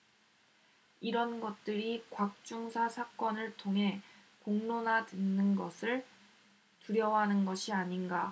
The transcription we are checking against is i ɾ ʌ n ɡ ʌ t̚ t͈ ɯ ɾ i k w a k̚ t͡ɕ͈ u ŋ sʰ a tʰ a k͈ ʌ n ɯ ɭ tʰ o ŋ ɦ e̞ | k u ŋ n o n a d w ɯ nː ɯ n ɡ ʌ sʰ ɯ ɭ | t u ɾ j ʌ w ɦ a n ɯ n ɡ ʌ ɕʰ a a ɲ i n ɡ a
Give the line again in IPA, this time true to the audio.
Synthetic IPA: i ɾ ʌ n ɡ ʌ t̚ t͈ ɯ ɾ i k w a k̚ t͡ɕ͈ u ŋ sʰ a sʰ a k͈ ʌ n ɯ ɭ tʰ o ŋ ɦ e̞ | k o ŋ n o n a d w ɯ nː ɯ n ɡ ʌ sʰ ɯ ɭ | t u ɾ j ʌ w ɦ a n ɯ n ɡ ʌ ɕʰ i a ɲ i n ɡ a

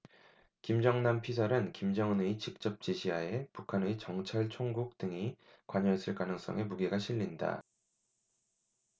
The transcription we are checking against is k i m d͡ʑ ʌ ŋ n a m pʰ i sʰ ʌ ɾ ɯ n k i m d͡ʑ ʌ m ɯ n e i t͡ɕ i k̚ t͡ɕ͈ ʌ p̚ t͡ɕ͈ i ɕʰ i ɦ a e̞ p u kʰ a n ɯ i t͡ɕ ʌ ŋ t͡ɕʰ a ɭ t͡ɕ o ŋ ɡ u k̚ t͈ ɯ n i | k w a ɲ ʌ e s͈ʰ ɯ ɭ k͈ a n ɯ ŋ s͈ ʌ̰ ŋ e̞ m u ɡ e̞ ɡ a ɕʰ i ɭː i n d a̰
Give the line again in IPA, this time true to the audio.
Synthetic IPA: k i m d͡ʑ ʌ ŋ n a m pʰ i sʰ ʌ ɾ ɯ n k i m d͡ʑ ʌ ŋ ɯ n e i t͡ɕ i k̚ t͡ɕ͈ ʌ p̚ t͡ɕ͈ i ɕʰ i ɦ a e̞ p u kʰ a n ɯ i t͡ɕ ʌ ŋ t͡ɕʰ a ɭ t͡ɕʰ o ŋ ɡ u k̚ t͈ ɯ ŋ i | k w a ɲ ʌ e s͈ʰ ɯ ɭ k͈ a n ɯ ŋ s͈ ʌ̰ ŋ e̞ m u ɡ e̞ ɡ a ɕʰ i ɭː i n d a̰

